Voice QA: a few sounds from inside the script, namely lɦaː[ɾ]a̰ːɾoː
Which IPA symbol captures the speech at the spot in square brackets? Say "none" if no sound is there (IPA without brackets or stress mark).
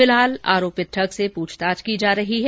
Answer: l